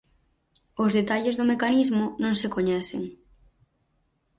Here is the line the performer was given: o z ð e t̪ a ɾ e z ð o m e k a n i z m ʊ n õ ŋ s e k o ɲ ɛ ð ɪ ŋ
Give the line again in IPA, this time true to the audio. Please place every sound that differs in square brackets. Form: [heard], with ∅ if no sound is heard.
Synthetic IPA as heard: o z ð e t̪ a [ʎ] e z ð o m e k a n i z m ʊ n õ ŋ s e k o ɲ ɛ [θ] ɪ ŋ